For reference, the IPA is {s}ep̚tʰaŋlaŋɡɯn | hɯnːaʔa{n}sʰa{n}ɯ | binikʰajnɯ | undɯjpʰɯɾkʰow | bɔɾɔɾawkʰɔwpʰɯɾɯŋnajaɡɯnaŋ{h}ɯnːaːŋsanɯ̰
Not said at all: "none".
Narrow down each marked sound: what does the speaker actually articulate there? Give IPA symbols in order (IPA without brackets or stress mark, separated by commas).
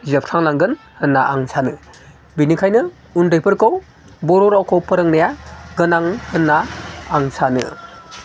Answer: z, ŋ, n, h